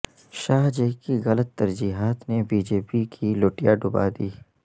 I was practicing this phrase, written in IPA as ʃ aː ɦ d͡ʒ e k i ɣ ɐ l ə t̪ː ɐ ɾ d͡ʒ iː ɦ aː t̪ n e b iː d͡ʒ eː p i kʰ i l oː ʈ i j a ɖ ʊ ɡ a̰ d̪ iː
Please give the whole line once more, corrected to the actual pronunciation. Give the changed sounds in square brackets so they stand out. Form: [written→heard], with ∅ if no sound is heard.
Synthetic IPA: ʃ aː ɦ d͡ʒ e k i ɣ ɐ l ə t̪ː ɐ ɾ d͡ʒ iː ɦ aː t̪ n e b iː d͡ʒ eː p i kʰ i l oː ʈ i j a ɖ ʊ [ɡ→b] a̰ d̪ iː